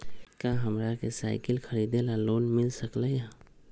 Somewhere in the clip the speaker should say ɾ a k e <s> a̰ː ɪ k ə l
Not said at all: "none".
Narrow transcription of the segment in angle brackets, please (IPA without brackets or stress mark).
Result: s